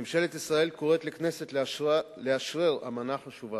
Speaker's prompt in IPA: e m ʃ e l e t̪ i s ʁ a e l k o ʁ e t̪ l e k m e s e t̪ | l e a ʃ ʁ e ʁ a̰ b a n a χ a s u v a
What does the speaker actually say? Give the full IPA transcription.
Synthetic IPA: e m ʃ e l e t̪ i s ʁ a e l k o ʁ e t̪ l e k n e s e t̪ | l e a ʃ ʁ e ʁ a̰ m a n a χ a ʃ u v a